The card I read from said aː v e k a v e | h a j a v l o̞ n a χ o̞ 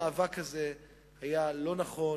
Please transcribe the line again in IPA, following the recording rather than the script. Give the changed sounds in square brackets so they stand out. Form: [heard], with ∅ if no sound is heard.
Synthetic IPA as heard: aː v [a] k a [z] e | h a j a [∅] l o̞ n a χ o̞